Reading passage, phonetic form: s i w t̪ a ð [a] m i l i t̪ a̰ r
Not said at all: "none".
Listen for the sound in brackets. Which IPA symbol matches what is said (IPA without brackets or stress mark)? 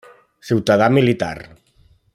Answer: a